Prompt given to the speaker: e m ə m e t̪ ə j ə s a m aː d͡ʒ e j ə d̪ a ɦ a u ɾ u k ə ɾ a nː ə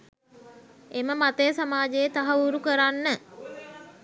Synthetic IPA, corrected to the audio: e m ə m a t̪ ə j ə s a m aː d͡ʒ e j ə t̪ a ɦ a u ɾ u k ə ɾ a nː ə